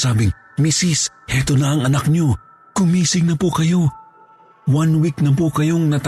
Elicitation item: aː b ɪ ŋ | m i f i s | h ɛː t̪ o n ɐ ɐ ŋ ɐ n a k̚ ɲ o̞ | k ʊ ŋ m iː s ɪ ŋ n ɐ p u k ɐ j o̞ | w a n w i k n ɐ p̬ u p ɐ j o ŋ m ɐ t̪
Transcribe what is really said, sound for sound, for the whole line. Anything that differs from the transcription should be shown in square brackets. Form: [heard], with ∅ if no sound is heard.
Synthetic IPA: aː b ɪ ŋ | m i [s] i s | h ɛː t̪ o n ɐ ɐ ŋ ɐ n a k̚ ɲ o̞ | k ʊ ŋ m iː s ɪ ŋ n ɐ p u k ɐ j o̞ | w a n w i k n ɐ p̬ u [k] ɐ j o ŋ [n] ɐ t̪